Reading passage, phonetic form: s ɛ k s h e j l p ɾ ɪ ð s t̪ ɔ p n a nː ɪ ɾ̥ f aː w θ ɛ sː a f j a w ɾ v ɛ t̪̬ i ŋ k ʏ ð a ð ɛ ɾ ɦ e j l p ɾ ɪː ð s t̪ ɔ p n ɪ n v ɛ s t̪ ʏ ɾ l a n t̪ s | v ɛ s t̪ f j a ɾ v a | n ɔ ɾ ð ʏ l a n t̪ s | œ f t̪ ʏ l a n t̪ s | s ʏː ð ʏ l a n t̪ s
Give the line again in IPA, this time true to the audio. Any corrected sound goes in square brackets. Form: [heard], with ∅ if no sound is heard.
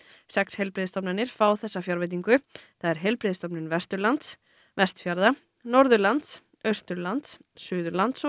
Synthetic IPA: s ɛ k s h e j l p ɾ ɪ ð s t̪ ɔ p n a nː ɪ ɾ̥ f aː w θ ɛ sː a f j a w ɾ v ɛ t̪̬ i ŋ k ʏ [θ] a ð ɛ ɾ ɦ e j l p ɾ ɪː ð s t̪ ɔ p n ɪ n v ɛ s t̪ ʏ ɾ l a n t̪ s | v ɛ s t̪ f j a ɾ [ð] a | n ɔ ɾ ð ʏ l a n t̪ s | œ [s] t̪ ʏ l a n t̪ s | s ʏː ð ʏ l a n t̪ s